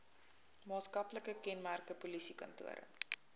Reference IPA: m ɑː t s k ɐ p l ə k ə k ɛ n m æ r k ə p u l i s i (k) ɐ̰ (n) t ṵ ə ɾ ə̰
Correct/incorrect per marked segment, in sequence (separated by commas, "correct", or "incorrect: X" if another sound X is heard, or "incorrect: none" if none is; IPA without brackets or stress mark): correct, correct